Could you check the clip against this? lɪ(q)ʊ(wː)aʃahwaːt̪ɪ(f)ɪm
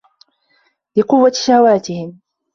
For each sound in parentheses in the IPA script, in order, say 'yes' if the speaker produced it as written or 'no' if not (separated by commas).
yes, yes, no